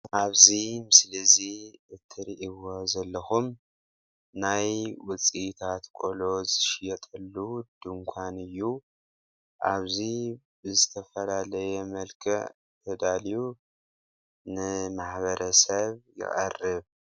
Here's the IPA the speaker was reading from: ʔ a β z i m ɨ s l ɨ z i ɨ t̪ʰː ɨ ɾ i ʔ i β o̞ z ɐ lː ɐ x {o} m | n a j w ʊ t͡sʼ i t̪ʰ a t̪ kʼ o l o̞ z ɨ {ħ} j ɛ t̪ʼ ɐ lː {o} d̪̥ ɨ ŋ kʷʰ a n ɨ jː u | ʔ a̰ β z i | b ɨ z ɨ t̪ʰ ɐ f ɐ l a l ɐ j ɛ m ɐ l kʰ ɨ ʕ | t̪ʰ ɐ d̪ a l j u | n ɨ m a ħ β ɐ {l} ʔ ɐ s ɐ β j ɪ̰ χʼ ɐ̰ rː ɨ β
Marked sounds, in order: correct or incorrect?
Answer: incorrect, incorrect, incorrect, incorrect

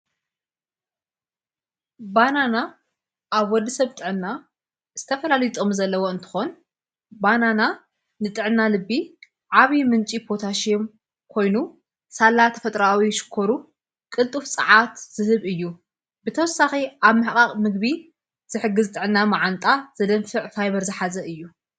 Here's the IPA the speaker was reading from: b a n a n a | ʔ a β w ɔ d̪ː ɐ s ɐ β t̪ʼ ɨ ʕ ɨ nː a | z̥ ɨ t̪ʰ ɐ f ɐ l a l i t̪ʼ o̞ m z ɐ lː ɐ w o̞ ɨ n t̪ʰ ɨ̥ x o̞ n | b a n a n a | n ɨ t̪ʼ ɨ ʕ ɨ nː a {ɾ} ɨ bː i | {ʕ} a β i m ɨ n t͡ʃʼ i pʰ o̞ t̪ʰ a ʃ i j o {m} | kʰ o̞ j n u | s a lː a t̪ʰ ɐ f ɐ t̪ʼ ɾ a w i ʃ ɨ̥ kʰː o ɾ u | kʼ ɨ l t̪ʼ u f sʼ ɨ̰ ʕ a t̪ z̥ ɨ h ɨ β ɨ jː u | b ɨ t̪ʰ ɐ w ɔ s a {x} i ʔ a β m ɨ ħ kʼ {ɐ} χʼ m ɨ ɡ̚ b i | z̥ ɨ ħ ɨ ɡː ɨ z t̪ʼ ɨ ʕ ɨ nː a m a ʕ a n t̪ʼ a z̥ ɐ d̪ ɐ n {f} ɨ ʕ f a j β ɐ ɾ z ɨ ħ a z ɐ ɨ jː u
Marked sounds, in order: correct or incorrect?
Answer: incorrect, correct, correct, correct, incorrect, correct

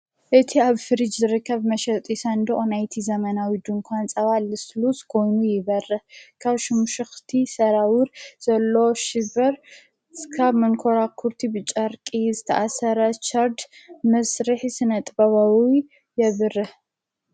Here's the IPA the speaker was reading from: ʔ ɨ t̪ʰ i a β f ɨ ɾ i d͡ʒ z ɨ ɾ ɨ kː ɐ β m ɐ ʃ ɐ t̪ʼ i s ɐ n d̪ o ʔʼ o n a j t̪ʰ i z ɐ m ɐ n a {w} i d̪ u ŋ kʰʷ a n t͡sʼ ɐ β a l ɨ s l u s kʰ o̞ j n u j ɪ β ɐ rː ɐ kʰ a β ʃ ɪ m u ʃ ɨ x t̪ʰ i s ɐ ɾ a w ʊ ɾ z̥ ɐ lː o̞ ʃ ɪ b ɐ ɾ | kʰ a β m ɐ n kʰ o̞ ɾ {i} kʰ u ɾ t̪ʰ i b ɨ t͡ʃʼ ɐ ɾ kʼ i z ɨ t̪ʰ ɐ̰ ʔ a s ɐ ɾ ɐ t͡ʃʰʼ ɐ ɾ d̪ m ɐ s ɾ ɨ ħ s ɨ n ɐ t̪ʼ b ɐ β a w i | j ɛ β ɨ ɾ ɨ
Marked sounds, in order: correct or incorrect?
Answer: correct, incorrect

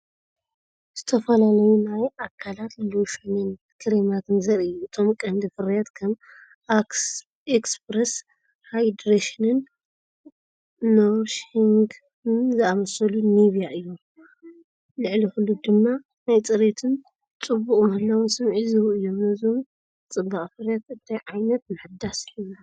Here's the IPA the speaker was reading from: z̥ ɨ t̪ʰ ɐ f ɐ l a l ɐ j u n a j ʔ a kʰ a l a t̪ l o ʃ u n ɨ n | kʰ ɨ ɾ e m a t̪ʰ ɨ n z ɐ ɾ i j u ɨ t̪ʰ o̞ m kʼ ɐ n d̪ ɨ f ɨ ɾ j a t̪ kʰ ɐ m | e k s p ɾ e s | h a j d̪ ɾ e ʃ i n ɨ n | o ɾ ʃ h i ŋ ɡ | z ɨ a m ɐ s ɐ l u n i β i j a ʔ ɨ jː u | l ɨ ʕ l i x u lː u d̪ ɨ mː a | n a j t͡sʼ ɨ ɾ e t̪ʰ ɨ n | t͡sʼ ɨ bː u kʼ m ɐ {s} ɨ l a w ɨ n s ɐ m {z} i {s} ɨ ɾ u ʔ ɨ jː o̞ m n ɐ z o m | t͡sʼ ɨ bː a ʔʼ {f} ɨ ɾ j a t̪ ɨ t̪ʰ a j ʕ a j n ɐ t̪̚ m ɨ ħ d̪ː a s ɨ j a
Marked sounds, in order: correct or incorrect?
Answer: incorrect, incorrect, incorrect, correct

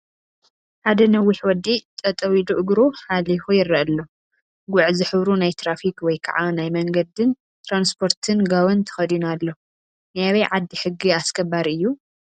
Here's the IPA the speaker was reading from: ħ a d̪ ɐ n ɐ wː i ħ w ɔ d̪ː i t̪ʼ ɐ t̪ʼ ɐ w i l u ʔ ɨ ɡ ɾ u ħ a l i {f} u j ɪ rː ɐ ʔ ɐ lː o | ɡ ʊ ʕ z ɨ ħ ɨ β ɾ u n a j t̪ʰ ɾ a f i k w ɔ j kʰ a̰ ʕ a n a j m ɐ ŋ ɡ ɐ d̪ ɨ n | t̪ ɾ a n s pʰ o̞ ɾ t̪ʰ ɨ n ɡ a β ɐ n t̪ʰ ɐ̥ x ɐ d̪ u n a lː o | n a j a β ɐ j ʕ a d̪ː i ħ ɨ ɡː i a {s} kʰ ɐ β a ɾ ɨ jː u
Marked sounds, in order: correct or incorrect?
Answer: correct, correct

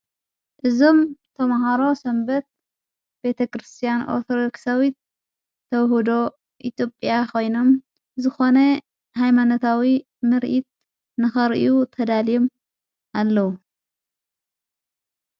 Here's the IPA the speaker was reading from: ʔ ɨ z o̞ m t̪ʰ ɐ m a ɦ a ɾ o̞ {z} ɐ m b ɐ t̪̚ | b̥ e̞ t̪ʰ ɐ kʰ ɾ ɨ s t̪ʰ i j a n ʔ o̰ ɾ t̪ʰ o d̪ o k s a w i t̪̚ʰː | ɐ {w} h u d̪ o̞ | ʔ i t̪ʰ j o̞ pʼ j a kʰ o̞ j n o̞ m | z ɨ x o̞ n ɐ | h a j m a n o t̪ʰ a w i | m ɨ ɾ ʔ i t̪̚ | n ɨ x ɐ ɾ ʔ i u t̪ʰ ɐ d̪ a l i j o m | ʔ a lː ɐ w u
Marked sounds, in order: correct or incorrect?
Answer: incorrect, correct

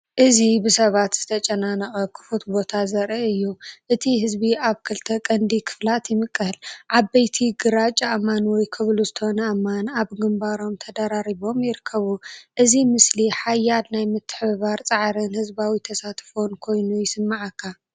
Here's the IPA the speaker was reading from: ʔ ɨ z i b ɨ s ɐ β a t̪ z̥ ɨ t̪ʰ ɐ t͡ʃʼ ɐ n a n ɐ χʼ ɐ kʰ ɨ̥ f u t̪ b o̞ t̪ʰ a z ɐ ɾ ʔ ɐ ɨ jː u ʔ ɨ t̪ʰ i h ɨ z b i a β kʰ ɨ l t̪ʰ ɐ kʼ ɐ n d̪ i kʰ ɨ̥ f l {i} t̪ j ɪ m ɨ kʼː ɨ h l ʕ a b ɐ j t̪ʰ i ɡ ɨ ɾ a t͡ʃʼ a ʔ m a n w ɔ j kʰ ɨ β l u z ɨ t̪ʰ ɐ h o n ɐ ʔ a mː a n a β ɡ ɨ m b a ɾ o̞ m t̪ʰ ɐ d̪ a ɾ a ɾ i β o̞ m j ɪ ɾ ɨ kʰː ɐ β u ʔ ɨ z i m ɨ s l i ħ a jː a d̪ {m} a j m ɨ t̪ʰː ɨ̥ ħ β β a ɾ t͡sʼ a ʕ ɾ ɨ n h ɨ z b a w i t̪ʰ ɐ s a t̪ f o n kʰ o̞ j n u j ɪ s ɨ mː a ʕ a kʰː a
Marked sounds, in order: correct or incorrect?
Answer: incorrect, incorrect

